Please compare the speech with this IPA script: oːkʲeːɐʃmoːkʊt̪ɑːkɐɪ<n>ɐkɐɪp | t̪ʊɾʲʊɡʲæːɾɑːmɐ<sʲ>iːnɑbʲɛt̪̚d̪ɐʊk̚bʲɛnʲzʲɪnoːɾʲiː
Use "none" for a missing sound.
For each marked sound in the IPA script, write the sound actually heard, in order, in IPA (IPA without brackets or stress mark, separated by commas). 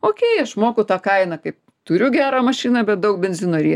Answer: n, ʃʲ